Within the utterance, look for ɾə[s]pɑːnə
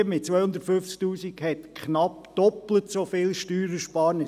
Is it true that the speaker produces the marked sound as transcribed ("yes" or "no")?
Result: no